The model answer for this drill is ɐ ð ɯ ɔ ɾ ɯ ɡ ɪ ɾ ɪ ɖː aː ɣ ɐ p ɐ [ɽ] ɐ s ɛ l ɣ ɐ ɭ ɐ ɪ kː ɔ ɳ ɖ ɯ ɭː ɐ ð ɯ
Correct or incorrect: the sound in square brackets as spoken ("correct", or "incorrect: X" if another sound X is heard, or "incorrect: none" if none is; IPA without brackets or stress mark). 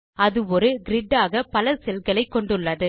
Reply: incorrect: l